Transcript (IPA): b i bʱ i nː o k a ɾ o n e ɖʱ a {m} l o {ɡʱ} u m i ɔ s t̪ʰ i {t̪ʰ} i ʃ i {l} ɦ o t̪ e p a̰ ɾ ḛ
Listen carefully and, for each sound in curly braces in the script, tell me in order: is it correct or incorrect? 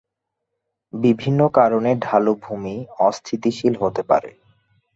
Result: incorrect, incorrect, incorrect, correct

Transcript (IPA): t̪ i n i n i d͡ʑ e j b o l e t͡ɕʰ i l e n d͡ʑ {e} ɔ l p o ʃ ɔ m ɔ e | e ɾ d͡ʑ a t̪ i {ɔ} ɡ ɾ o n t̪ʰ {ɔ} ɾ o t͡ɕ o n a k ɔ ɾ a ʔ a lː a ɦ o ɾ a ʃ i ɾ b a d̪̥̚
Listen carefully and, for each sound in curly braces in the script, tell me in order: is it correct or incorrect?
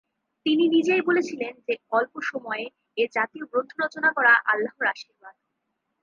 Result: correct, incorrect, incorrect

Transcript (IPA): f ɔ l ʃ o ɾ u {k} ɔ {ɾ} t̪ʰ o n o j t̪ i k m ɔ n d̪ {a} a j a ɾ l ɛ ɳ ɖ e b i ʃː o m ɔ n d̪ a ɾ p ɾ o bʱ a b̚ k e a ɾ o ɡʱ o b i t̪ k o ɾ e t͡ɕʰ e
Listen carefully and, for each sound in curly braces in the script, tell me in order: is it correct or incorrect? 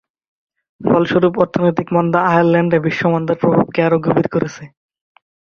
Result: incorrect, correct, correct

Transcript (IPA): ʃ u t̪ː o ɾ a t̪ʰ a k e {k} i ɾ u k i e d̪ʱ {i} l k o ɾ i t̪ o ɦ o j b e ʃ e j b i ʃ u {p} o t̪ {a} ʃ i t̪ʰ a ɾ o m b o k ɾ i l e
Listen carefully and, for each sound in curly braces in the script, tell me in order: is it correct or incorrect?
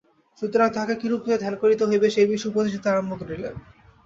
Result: correct, incorrect, correct, incorrect

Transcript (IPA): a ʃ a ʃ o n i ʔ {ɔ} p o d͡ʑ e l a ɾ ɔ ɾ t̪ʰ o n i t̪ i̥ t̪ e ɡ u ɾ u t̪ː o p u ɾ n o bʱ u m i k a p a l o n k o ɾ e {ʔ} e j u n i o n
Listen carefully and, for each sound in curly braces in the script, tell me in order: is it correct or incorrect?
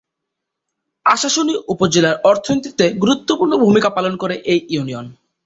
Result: incorrect, correct

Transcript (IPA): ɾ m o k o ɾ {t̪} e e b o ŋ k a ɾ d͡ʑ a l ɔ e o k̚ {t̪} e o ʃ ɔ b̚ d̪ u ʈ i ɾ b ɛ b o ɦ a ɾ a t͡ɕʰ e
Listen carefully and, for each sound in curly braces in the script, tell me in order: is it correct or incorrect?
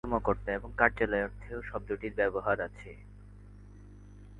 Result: correct, incorrect

